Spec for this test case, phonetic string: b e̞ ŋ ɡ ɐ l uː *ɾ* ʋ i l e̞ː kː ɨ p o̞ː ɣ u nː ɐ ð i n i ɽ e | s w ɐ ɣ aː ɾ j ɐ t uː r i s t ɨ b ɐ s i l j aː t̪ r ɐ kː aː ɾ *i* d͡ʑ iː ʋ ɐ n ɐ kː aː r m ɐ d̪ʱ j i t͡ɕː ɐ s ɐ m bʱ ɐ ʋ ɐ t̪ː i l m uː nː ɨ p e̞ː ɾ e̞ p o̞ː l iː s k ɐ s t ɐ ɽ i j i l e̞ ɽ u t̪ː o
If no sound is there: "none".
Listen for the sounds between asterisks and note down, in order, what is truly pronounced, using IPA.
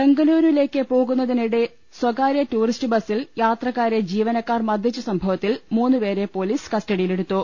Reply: ɾ, e

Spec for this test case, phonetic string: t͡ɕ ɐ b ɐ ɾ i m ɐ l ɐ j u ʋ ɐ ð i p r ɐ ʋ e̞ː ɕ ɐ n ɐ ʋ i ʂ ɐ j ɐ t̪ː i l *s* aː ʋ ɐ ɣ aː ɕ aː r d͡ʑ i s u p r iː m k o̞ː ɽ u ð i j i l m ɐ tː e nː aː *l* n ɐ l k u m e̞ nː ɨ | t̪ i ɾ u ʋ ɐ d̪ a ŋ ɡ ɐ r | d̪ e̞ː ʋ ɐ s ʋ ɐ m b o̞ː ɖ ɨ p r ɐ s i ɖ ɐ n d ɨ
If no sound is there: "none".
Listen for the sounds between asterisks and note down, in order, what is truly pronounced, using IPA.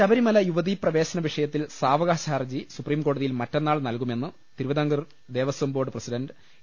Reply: s, ɭ

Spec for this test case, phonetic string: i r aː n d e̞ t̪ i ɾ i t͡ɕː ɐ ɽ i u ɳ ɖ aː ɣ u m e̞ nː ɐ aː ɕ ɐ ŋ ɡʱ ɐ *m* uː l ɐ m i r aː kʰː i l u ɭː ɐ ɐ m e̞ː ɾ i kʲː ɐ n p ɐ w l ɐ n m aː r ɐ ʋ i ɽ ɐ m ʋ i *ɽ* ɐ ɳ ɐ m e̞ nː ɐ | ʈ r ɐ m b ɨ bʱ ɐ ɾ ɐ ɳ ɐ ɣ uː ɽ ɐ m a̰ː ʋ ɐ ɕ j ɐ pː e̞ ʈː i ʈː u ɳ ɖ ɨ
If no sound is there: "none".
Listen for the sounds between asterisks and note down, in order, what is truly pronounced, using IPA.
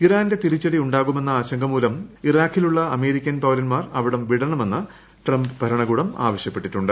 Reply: m, ɽ

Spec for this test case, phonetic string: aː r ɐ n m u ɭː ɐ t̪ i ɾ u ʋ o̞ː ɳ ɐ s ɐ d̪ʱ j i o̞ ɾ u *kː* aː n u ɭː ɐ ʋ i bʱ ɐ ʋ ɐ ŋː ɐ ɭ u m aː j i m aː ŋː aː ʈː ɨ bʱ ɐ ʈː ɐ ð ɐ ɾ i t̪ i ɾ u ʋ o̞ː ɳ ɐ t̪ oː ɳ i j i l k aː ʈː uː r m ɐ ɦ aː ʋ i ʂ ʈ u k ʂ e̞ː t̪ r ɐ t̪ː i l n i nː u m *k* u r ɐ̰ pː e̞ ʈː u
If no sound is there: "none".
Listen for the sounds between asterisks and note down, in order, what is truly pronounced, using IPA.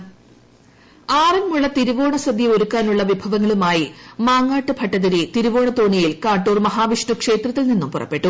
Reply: kː, p

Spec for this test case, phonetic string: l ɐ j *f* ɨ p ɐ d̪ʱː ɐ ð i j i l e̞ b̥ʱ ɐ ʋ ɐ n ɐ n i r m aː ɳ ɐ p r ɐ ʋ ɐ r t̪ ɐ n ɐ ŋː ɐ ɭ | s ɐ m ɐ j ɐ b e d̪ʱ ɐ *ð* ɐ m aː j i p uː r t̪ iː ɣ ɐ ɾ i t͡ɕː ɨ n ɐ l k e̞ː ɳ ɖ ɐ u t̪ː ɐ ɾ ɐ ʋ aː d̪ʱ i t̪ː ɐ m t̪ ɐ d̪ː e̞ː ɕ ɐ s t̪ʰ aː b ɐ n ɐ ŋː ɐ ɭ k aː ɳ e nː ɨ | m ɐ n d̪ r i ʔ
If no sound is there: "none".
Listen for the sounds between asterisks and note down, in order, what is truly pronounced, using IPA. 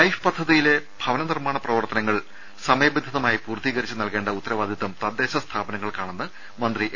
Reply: f, ð

